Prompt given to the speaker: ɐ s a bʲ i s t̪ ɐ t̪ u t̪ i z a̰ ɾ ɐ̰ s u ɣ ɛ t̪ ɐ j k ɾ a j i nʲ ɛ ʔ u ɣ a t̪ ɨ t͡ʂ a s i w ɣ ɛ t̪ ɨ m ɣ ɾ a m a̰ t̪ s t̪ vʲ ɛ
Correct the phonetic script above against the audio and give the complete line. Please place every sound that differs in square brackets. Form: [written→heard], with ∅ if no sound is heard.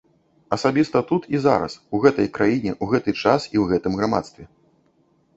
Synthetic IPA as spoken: ɐ s a bʲ i s t̪ ɐ t̪ u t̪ i z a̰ ɾ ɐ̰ s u ɣ ɛ t̪ ɐ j k ɾ a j i nʲ ɛ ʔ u ɣ [a→ɛ] t̪ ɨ t͡ʂ a s i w ɣ ɛ t̪ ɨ m ɣ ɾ a m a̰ t̪ s t̪ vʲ ɛ

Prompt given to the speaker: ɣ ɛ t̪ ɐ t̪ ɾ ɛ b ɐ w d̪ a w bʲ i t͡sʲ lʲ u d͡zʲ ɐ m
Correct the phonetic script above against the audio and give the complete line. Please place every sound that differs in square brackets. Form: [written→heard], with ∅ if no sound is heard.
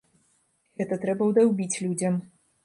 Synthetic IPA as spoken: ɣ ɛ t̪ ɐ t̪ ɾ ɛ b ɐ w d̪ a w bʲ i t͡sʲ lʲ u d͡zʲ ɐ m

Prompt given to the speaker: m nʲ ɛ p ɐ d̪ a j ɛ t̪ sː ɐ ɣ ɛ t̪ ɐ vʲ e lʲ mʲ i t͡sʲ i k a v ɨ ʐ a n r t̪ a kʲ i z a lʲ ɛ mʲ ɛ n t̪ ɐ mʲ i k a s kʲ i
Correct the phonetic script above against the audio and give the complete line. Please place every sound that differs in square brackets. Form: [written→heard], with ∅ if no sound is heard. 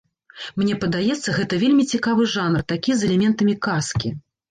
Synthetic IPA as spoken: m nʲ ɛ p ɐ d̪ a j ɛ t̪ sː ɐ ɣ ɛ t̪ ɐ vʲ e lʲ mʲ i t͡sʲ i k a v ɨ ʐ a n r t̪ a kʲ i z [a→ɛ] lʲ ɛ mʲ ɛ n t̪ ɐ mʲ i k a s kʲ i

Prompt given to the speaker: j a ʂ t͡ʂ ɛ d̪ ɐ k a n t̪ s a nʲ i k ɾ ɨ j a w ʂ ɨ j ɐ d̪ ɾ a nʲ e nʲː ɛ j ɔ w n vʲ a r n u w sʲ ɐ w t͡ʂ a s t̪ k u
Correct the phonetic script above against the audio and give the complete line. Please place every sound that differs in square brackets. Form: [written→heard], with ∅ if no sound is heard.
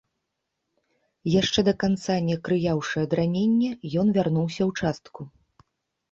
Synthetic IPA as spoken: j a ʂ t͡ʂ ɛ d̪ ɐ k a n t̪ s a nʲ [i→ɛ] k ɾ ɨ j a w ʂ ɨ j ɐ d̪ ɾ a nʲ e nʲː ɛ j ɔ [w→∅] n vʲ a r n u w sʲ ɐ w t͡ʂ a s t̪ k u

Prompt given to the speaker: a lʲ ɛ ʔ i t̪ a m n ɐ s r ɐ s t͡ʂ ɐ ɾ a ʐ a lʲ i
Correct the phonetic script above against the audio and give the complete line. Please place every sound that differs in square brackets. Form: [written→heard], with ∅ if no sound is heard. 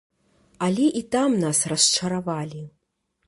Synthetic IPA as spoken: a lʲ ɛ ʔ i t̪ a m n [ɐ→a] s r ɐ s t͡ʂ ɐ ɾ a [ʐ→v] a lʲ i

